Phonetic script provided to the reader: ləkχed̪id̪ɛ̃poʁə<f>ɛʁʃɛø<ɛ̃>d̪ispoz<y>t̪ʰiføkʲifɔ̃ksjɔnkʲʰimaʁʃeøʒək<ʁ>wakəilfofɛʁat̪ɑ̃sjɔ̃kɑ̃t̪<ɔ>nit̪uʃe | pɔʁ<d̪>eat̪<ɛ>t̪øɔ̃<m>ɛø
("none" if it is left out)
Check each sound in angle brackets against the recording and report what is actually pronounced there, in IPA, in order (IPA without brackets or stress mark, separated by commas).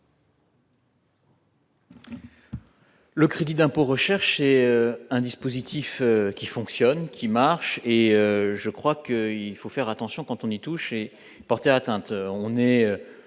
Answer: ʃ, ɛ̃, i, χ, ɔ̃, t̪, ɛ̃, n